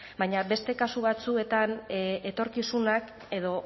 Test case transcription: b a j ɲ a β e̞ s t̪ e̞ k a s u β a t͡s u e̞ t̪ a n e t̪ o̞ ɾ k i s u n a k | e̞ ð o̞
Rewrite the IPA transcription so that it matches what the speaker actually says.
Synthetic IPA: b a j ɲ a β e̞ s t̪ e̞ k a s u β a t͡s u e̞ t̪ a n e t̪ o̞ ɾ k i s u n a k | e̞ ð o̞